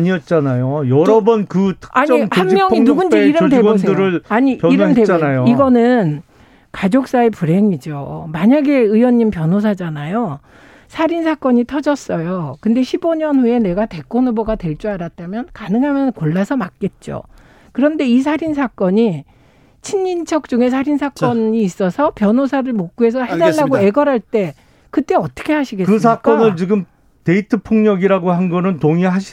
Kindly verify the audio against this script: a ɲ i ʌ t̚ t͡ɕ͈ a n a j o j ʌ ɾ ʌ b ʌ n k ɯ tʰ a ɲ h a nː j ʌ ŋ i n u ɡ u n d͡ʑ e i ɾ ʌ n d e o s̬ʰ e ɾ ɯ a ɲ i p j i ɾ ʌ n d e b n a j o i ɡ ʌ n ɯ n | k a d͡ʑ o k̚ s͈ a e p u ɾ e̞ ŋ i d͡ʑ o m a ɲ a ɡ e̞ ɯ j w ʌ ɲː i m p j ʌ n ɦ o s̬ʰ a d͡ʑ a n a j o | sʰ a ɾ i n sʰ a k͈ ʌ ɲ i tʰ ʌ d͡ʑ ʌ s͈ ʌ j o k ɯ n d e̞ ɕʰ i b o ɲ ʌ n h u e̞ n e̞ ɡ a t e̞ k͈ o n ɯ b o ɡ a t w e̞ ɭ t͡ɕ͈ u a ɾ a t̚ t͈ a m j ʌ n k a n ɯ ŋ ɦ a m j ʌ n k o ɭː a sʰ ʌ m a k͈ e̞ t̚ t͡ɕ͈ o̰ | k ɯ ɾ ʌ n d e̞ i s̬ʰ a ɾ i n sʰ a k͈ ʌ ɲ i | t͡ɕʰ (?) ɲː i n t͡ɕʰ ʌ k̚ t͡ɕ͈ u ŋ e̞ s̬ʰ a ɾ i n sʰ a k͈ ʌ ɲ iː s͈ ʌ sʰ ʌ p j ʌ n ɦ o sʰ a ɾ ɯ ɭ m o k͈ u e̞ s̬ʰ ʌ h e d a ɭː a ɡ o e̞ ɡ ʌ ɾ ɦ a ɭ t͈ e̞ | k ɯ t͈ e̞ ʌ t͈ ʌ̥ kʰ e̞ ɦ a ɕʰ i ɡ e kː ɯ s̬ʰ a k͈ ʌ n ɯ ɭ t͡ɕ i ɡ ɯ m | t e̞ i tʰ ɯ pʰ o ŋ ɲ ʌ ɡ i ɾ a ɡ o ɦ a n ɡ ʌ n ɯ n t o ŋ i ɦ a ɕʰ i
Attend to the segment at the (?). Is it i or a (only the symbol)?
i